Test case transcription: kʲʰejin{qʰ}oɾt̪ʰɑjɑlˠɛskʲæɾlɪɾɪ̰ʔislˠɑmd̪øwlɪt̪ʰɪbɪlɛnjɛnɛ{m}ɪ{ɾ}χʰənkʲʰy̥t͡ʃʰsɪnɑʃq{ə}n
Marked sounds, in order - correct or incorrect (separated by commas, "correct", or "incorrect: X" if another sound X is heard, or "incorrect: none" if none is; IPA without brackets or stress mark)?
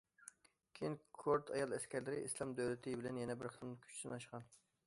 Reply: incorrect: kʰ, incorrect: b, correct, incorrect: ɑ